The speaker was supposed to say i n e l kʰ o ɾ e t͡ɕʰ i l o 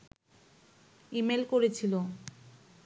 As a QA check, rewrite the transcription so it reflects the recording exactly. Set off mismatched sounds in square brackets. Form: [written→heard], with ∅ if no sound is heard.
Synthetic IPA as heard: i [n→m] e l [kʰ→k] o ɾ e t͡ɕʰ i l o